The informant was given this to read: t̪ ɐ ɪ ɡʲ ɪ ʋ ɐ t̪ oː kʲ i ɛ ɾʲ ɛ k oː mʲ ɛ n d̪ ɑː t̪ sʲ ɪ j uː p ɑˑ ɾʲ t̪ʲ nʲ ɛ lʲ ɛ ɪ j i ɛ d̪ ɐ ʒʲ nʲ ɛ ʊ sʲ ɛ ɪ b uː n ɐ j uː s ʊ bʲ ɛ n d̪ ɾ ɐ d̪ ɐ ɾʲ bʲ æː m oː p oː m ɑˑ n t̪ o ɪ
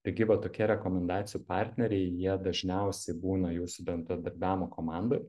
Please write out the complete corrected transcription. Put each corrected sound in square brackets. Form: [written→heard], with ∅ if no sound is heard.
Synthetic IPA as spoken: t̪ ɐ ɪ ɡʲ ɪ ʋ ɐ t̪ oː kʲ i ɛ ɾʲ ɛ k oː mʲ ɛ n d̪ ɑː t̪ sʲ ɪ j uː p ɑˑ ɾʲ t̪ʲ nʲ ɛ [lʲ→ɾʲ] ɛ ɪ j i ɛ d̪ ɐ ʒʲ nʲ ɛ ʊ sʲ ɛ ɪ b uː n ɐ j uː s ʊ bʲ ɛ n d̪ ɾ ɐ d̪ ɐ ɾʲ bʲ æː m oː [p→k] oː m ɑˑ n [t̪→d̪] o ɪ